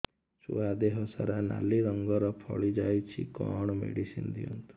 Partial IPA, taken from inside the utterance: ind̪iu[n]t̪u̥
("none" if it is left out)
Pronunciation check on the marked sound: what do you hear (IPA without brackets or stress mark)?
n